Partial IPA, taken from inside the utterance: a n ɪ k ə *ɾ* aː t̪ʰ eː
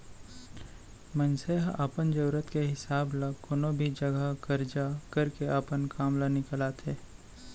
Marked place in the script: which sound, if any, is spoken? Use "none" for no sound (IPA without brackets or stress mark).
l